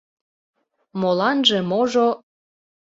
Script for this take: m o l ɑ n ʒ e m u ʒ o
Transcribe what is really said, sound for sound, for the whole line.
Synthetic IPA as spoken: m o l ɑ n ʒ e m o ʒ o